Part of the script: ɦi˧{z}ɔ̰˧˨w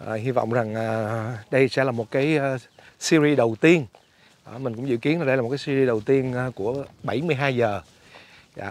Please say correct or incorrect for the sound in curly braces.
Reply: incorrect